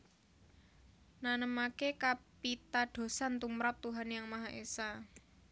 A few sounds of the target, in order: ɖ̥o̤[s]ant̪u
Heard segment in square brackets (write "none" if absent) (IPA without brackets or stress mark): s